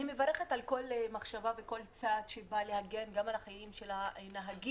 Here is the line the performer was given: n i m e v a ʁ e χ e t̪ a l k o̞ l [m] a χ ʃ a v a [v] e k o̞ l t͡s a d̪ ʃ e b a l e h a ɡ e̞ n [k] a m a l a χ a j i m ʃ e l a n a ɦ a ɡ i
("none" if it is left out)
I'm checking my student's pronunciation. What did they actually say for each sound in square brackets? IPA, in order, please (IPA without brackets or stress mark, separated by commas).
m, v, ɡ